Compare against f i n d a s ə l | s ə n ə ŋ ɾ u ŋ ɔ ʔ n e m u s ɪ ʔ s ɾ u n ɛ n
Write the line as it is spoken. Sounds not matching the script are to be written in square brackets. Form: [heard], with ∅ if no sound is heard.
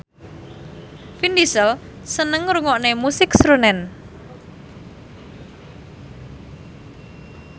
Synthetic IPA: f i n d [i] s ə l | s ə n ə ŋ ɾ u ŋ ɔ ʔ n e m u s ɪ [k] s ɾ u n ɛ n